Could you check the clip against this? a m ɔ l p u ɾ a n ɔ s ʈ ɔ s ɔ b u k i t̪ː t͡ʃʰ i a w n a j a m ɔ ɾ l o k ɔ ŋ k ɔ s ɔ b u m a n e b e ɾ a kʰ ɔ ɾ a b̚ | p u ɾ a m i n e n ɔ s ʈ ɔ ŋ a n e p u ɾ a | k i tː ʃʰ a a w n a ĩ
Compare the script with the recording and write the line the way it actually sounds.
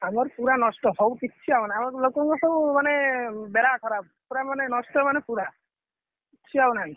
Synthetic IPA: a m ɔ ɾ p u ɾ a n ɔ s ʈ ɔ s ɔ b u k i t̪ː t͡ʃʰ i a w n a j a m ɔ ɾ l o k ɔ ŋ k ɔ s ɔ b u m a n e b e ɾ a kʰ ɔ ɾ a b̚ | p u ɾ a m a n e n ɔ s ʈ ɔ m a n e p u ɾ a | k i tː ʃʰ i a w n a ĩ